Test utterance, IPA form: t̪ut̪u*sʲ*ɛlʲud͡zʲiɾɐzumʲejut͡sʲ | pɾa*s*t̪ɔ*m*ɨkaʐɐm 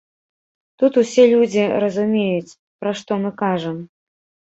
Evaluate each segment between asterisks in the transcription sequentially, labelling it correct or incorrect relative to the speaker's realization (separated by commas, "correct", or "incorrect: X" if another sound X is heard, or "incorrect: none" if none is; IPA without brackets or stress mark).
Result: correct, incorrect: ʂ, correct